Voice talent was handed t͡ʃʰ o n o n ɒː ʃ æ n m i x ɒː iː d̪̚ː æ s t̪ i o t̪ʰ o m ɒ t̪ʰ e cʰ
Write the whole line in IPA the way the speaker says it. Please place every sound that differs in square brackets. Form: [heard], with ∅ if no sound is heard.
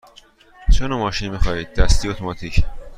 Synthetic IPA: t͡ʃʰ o n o [m] ɒː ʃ [i] n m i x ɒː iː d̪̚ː æ s t̪ i o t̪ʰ o m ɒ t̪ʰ [i] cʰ